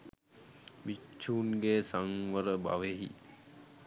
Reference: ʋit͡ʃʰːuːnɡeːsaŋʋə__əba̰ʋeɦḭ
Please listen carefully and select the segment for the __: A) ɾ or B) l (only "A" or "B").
A